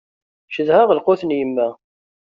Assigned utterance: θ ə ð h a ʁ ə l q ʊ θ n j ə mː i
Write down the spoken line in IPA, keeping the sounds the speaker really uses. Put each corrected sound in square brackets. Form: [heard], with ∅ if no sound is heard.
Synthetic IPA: [ʃ] ə ð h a ʁ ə l q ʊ θ n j ə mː [æ]